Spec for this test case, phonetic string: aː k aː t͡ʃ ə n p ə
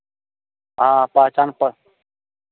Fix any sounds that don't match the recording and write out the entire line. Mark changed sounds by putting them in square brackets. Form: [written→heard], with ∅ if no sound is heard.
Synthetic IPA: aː [k→p] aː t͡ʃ [ə→a] n p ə